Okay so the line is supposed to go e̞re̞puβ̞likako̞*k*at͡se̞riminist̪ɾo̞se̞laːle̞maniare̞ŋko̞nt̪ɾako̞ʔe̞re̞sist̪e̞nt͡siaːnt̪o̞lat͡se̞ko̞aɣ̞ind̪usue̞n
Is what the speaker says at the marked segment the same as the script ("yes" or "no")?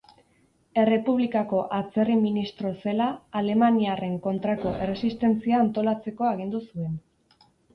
no